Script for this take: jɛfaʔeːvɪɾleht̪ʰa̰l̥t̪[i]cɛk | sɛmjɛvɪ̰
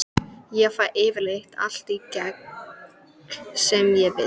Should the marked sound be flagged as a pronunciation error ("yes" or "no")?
no